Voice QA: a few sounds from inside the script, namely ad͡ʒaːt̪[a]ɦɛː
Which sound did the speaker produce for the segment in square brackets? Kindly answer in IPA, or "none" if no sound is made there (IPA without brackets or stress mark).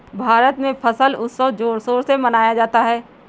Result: a